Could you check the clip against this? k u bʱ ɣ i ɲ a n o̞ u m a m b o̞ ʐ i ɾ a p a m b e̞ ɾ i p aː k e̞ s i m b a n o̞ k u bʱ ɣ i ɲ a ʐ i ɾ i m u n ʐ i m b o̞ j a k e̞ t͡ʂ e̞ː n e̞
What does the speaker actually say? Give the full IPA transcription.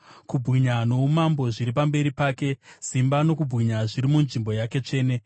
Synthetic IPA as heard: k u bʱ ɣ i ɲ a n o̞ u m a m b o̞ ʐ i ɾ i p a m b e̞ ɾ i p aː k e̞ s i m b a n o̞ k u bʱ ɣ i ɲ a ʐ i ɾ i m u n ʐ i m b o̞ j a k e̞ t͡ʂ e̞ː n e̞